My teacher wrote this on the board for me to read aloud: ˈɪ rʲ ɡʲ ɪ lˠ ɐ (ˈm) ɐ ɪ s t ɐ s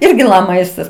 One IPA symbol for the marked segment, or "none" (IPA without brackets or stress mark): m